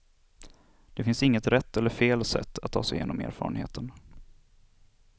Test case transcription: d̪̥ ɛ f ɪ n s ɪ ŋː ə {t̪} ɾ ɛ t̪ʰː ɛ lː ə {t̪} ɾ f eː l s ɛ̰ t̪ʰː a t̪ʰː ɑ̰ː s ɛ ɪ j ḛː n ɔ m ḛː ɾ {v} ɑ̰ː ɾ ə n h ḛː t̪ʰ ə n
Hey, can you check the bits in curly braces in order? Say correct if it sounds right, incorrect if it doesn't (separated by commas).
correct, incorrect, incorrect